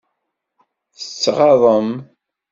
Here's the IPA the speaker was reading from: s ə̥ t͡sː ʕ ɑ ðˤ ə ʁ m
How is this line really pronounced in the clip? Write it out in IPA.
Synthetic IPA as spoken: θ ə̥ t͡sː ʁ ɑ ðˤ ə m